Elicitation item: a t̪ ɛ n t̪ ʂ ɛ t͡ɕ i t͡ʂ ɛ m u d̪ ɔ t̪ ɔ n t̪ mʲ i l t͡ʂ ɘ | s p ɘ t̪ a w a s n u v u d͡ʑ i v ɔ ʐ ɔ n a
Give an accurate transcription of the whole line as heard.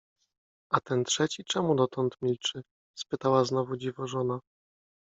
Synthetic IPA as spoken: a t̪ ɛ n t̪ ʂ ɛ t͡ɕ i t͡ʂ ɛ m u d̪ ɔ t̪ ɔ n t̪ mʲ i l t͡ʂ ɘ | s p ɘ t̪ a w a z n ɔ v u d͡ʑ i v ɔ ʐ ɔ n a